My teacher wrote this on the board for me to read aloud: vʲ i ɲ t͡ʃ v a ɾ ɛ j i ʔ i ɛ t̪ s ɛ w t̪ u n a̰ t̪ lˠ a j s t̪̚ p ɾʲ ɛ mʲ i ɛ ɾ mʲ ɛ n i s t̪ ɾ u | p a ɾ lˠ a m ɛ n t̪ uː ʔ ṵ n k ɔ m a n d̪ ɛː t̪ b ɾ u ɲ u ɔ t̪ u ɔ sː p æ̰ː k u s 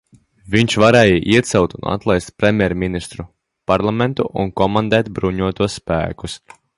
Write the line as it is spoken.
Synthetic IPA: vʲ i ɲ t͡ʃ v a ɾ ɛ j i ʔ i ɛ t̪ s ɛ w t̪ u n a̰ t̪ lˠ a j s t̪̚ p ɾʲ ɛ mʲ j ɛ ɾ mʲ i n i s t̪ ɾ u | p a ɾ lˠ a m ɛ n t̪ u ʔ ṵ n k ɔ m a n d̪ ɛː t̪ b ɾ u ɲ u ɔ t̪ u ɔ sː p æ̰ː k u s